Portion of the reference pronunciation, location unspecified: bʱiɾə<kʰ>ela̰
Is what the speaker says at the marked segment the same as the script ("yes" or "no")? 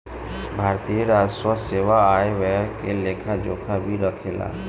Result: yes